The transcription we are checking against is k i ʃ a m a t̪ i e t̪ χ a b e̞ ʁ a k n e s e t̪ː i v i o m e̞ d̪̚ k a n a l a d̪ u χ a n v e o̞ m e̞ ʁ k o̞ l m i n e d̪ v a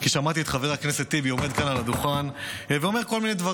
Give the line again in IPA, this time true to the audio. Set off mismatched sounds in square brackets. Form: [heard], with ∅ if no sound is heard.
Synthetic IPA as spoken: k i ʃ a m a t̪ i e t̪ χ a [v] e̞ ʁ a k n e s e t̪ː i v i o m e̞ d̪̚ k a n a l a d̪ u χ a n v e o̞ m e̞ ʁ k o̞ l m i n e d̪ v a